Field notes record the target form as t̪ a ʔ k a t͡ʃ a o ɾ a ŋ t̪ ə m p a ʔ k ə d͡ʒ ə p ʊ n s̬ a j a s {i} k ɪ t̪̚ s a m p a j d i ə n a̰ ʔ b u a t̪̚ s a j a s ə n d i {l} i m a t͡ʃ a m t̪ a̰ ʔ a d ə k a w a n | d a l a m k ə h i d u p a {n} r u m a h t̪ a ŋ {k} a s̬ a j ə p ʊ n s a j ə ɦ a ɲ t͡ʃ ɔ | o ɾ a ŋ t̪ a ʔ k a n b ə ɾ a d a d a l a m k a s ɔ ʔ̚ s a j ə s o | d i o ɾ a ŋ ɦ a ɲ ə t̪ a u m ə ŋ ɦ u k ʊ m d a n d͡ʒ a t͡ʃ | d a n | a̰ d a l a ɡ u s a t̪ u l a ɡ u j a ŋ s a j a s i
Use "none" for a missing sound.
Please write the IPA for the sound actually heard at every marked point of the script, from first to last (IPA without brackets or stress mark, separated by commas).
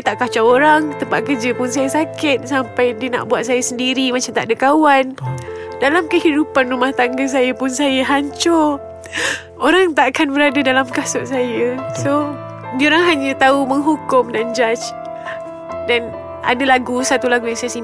a, ɾ, n, ɡ